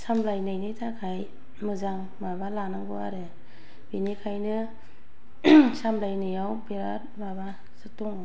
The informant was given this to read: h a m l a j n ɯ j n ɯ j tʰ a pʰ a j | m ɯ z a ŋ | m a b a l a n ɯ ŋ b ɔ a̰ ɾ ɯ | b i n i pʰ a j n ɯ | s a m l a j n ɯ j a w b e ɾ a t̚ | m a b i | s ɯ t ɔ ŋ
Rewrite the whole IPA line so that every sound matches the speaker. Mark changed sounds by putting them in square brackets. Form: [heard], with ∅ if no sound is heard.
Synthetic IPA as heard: [s] a m l a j n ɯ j n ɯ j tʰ a [kʰ] a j | m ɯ z a ŋ | m a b a l a n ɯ ŋ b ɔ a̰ ɾ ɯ | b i n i [kʰ] a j n ɯ | s a m l a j n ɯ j a w b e ɾ a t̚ | m a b [a] | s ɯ t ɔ ŋ